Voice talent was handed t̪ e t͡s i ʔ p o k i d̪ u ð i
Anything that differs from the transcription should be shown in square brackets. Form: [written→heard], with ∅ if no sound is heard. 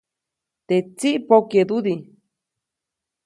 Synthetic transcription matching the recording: t̪ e t͡s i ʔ p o k [i→e] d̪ u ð i